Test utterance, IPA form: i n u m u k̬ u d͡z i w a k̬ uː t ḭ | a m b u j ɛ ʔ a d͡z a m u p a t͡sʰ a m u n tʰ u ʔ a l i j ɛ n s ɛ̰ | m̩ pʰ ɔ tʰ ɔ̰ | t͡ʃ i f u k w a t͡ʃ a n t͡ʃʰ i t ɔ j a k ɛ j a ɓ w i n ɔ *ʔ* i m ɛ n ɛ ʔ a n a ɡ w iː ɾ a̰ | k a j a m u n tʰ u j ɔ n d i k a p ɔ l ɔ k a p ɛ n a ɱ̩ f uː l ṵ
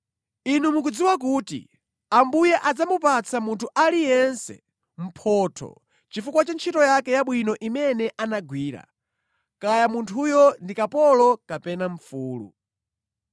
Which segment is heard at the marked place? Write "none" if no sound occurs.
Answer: ʔ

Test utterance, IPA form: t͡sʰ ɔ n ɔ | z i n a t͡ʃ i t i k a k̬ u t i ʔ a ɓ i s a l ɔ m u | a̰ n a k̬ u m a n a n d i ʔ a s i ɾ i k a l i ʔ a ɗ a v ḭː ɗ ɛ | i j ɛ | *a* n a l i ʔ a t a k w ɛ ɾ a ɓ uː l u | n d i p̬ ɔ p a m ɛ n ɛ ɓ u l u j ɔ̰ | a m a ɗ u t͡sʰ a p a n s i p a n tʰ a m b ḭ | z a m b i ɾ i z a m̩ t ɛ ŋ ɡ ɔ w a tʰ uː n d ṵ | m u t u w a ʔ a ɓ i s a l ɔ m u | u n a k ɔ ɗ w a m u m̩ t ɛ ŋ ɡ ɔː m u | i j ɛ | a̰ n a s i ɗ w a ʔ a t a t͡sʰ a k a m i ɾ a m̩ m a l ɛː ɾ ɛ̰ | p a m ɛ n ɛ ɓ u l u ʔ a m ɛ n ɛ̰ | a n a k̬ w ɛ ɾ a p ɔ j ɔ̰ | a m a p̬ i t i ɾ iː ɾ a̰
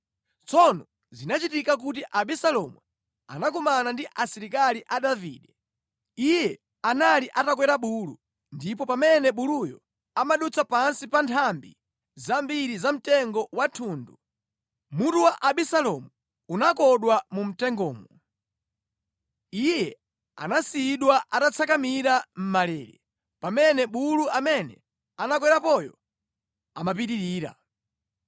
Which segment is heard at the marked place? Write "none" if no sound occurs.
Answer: a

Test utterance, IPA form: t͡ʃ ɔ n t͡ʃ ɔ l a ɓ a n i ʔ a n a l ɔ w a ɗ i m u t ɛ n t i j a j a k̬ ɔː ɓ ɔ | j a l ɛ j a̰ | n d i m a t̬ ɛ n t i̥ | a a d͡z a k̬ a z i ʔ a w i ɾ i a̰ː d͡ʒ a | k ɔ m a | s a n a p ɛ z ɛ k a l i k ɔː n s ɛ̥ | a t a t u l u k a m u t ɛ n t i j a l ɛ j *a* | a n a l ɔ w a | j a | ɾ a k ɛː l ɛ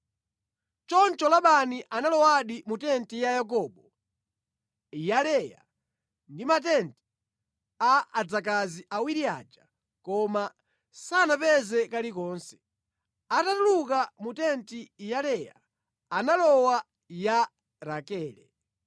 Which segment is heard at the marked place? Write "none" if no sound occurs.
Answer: a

